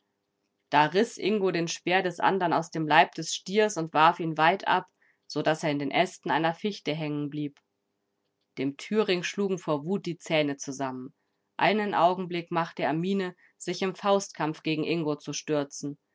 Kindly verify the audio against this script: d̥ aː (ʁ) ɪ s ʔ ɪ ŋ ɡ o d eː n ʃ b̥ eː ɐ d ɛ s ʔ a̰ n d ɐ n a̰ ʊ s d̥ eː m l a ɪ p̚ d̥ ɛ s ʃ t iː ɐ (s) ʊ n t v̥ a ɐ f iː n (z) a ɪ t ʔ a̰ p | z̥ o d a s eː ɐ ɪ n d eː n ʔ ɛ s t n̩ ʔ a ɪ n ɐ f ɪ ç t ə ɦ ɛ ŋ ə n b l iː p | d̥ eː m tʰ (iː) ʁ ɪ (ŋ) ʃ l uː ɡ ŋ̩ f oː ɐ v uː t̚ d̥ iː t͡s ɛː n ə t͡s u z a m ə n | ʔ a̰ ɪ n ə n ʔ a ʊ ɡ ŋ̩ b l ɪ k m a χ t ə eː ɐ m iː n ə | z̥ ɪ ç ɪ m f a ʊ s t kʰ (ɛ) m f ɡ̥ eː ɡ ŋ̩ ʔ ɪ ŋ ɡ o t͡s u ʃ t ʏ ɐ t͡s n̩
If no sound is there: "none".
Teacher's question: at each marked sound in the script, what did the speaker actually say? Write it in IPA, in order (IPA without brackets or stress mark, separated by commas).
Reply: ʁ, s, v, yː, ŋ, a